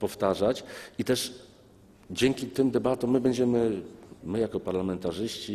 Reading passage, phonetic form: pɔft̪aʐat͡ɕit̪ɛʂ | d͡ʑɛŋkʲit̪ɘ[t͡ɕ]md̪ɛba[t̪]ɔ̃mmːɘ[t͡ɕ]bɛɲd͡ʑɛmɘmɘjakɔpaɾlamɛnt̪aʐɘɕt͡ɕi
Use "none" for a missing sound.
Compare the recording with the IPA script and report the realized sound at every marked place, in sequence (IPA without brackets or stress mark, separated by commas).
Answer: none, t̪, none